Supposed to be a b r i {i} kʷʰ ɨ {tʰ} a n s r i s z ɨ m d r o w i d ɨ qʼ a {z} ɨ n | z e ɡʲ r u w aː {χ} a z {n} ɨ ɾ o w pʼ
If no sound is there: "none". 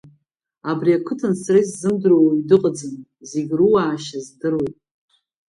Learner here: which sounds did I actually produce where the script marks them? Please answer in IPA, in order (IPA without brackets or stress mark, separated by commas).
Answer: a, tʰ, d͡z, ʃ, d